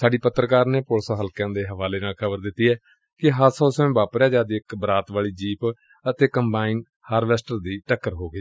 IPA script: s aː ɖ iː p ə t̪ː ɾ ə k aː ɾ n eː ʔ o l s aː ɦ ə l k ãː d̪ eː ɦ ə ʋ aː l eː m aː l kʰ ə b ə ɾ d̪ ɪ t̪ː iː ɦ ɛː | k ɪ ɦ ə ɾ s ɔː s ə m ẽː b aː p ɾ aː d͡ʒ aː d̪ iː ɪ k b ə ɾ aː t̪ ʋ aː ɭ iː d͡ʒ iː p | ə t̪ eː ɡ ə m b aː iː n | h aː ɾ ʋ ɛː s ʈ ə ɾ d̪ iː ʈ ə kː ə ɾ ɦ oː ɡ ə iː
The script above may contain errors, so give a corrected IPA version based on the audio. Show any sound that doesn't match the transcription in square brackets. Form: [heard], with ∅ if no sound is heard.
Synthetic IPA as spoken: s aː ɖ iː p ə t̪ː ɾ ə k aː ɾ n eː [p] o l s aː ɦ ə l k ãː d̪ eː ɦ ə ʋ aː l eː [n] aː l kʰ ə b ə ɾ d̪ ɪ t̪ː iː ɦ ɛː | k ɪ ɦ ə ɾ s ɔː s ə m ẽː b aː p ɾ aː d͡ʒ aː d̪ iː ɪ k b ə ɾ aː t̪ ʋ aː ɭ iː d͡ʒ iː p | ə t̪ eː [k] ə m b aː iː n | h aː ɾ ʋ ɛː s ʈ ə ɾ d̪ iː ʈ ə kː ə ɾ ɦ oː ɡ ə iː